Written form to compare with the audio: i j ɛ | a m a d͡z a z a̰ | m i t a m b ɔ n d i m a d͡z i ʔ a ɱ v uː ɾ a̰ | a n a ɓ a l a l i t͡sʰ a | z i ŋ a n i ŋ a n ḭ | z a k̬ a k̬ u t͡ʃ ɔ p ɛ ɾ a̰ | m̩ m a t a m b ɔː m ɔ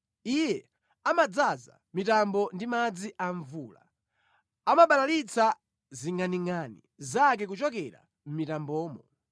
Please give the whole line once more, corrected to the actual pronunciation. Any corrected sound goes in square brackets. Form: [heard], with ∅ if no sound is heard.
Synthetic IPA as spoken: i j ɛ | a m a d͡z a z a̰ | m i t a m b ɔ n d i m a d͡z i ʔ a ɱ v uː [l] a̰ | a [m] a ɓ a l a l i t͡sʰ a | z i ŋ a n i ŋ a n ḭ | z a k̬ [ɛ] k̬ u t͡ʃ ɔ [k] ɛ ɾ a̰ | m̩ m [i] t a m b ɔː m ɔ